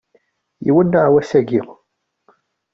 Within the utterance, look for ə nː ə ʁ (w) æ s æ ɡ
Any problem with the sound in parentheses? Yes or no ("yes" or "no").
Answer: no